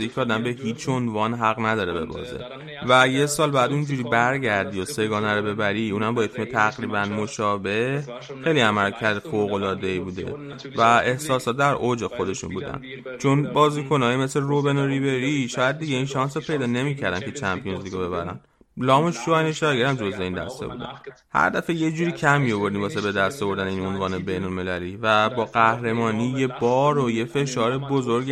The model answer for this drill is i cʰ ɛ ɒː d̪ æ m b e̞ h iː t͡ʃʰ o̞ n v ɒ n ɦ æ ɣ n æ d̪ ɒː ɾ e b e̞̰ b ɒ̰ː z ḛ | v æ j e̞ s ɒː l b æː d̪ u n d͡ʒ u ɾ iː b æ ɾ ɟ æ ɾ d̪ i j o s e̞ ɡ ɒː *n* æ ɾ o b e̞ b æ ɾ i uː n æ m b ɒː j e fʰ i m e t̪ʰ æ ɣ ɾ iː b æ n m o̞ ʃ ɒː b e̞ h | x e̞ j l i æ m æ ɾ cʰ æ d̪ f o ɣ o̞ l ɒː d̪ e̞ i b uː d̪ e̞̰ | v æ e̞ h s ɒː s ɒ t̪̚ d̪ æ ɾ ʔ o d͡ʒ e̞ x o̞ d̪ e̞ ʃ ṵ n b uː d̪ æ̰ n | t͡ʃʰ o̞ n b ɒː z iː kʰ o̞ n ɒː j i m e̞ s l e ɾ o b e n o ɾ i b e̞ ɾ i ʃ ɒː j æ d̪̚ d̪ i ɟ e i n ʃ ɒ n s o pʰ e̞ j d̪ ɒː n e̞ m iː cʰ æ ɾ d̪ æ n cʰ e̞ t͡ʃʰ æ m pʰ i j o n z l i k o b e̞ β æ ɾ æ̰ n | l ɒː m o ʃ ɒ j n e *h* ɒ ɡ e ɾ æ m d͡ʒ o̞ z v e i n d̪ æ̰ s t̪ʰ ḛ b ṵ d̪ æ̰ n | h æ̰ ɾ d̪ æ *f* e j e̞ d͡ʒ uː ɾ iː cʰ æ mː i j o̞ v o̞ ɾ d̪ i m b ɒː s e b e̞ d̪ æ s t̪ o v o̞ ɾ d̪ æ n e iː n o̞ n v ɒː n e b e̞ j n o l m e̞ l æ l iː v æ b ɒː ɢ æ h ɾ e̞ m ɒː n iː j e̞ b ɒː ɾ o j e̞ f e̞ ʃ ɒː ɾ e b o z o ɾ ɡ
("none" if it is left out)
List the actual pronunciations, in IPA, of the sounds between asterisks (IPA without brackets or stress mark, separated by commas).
n, ʃ, f